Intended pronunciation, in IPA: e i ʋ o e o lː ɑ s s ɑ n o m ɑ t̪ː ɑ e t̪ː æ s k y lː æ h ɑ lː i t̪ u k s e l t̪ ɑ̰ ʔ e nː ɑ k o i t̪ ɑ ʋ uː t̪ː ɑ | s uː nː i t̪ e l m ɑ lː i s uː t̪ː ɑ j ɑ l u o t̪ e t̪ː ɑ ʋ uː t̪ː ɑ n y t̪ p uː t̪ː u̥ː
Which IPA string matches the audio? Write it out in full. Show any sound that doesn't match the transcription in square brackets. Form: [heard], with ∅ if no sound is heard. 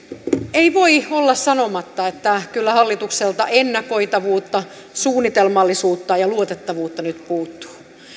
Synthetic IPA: e i ʋ o [i] o lː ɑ s s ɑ n o m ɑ t̪ː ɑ e t̪ː æ [∅] k y lː æ h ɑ lː i t̪ u k s e l t̪ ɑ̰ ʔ e nː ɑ k o i t̪ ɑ ʋ uː t̪ː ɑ | s uː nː i t̪ e l m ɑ lː i s uː t̪ː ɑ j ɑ l u o t̪ e t̪ː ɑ ʋ uː t̪ː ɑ n y t̪ p uː t̪ː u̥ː